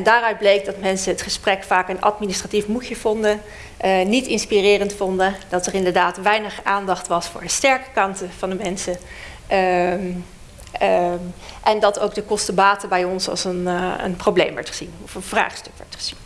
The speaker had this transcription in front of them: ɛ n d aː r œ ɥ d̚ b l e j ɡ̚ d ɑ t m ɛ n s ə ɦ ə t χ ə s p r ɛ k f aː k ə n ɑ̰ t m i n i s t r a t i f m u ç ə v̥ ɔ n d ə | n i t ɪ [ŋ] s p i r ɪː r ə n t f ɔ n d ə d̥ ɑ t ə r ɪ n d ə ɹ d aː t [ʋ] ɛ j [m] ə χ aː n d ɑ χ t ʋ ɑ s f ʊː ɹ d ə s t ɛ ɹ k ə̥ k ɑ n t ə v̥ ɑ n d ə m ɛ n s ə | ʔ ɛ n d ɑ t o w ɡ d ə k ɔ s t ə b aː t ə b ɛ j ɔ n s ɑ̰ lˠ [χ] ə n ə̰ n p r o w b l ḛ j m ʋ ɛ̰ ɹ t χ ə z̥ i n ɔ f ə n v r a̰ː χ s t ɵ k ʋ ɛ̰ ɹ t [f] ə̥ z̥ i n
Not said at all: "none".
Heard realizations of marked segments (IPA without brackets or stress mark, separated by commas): n, ʋ, n, s, χ